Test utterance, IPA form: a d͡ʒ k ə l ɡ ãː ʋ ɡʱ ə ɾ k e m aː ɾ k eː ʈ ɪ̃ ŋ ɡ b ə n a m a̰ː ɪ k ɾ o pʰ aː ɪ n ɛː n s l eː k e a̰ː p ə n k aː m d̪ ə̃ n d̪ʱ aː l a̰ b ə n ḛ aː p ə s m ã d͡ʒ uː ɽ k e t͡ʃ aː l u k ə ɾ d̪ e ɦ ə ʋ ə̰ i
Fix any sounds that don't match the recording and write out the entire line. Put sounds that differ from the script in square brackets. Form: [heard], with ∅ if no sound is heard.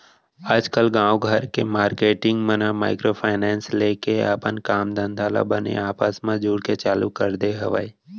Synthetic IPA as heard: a d͡ʒ k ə l ɡ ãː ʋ ɡʱ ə ɾ k e m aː ɾ k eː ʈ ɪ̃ ŋ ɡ [m] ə n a m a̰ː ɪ k ɾ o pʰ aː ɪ n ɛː n s l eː k e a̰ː p ə n k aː m d̪ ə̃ n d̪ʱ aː l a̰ b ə n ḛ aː p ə s m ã d͡ʒ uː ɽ k e t͡ʃ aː l u k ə ɾ d̪ e ɦ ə ʋ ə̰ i

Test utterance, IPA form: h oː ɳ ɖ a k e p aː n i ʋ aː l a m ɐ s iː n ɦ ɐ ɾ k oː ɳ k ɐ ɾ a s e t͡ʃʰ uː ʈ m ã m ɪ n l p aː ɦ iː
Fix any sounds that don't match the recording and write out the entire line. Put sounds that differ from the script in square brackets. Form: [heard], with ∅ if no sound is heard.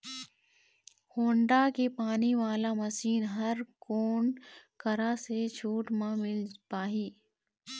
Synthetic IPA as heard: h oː ɳ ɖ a k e p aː n i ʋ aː l a m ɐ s iː n ɦ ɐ ɾ k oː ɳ k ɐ ɾ a s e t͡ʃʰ uː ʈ m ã m ɪ [∅] l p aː ɦ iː

